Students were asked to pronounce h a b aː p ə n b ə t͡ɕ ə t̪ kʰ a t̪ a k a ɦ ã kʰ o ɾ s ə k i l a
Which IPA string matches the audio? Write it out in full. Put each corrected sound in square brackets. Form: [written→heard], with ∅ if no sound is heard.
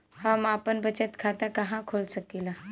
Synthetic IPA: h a [b→m] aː p ə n b ə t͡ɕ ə t̪ kʰ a t̪ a k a ɦ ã kʰ o [ɾ→l] s ə k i l a